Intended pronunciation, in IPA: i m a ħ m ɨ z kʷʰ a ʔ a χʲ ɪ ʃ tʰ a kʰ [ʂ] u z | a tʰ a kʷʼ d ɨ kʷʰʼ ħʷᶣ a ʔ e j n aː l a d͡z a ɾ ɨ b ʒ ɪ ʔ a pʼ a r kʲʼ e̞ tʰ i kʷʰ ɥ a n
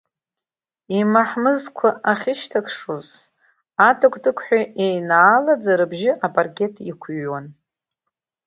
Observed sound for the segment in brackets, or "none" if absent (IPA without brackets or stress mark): ʂ